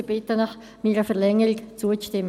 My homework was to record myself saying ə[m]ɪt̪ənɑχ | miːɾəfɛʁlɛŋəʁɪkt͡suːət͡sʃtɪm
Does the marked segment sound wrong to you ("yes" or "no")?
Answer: yes